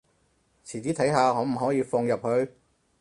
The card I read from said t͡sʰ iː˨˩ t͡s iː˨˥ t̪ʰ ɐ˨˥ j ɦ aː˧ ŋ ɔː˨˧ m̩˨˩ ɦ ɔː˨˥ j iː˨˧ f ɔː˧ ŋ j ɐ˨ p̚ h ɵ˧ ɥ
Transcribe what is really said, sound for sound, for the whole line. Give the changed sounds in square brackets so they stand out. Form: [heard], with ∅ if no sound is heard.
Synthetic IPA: t͡sʰ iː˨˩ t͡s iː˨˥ t̪ʰ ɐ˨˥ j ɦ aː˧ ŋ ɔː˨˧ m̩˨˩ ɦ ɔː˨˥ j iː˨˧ f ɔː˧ ŋ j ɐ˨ p̚ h ɵ˧ ɥ